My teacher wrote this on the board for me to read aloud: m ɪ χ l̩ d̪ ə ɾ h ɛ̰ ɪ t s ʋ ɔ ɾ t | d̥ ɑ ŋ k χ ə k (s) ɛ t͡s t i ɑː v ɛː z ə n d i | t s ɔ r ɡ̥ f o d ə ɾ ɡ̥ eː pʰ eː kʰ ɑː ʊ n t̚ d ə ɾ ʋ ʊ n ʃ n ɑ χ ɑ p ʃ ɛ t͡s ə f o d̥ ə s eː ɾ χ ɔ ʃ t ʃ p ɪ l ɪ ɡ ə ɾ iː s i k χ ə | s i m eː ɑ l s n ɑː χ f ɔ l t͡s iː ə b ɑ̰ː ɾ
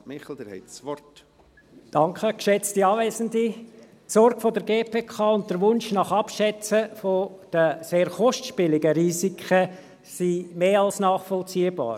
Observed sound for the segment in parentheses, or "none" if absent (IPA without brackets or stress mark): ʃ